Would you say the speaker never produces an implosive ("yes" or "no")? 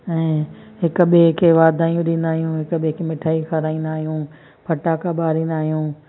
no